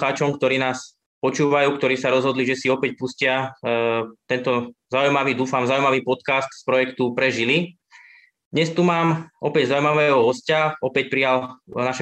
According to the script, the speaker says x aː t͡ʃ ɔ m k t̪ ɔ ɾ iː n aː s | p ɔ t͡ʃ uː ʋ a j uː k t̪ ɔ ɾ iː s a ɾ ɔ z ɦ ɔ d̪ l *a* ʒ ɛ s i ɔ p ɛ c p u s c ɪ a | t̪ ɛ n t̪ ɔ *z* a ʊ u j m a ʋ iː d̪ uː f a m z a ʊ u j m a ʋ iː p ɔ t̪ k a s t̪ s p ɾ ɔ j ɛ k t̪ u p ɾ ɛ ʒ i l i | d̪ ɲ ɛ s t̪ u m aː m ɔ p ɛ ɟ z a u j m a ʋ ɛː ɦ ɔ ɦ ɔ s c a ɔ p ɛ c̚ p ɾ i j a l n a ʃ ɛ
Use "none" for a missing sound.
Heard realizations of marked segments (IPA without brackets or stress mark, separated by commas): i, z